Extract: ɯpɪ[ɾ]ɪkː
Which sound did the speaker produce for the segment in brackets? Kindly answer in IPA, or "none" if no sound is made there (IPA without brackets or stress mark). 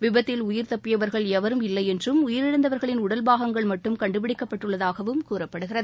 ɽ